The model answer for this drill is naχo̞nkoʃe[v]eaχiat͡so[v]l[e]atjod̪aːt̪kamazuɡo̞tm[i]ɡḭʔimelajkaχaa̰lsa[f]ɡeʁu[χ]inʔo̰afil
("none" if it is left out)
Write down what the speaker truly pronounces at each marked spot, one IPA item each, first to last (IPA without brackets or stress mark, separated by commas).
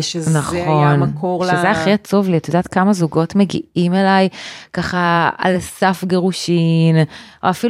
z, v, i, e, f, ʃ